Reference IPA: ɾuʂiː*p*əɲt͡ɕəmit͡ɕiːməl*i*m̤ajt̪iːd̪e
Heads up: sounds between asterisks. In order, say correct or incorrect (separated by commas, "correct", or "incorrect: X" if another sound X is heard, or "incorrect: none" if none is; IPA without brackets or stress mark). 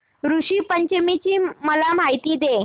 correct, incorrect: a